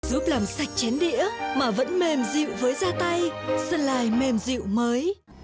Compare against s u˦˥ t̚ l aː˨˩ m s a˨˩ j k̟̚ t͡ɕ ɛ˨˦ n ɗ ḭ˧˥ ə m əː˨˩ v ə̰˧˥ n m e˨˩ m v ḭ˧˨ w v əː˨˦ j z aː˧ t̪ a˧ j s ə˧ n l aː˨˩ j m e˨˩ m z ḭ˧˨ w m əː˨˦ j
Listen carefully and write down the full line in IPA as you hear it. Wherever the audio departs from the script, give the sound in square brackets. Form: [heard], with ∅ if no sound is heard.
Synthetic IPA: [z] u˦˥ [p̚] l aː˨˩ m s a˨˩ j k̟̚ t͡ɕ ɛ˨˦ n ɗ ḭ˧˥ ə m [aː˨˩] v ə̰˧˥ n m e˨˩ m [z] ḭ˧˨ w v əː˨˦ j z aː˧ t̪ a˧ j s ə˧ n l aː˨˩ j m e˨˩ m z ḭ˧˨ w m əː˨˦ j